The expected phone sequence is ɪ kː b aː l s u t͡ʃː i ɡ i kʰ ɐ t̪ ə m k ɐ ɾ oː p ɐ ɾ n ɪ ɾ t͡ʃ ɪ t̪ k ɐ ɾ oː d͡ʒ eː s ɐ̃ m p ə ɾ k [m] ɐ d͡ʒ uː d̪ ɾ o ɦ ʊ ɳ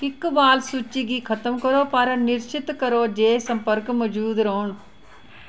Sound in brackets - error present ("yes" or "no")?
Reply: no